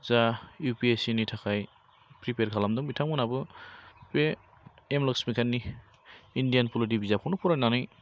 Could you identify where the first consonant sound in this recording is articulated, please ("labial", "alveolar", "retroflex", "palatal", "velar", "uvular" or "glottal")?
alveolar